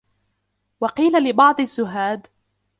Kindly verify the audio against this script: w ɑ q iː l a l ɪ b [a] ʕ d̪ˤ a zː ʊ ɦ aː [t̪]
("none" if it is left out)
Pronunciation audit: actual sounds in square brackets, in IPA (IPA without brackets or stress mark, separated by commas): ɑ, d̪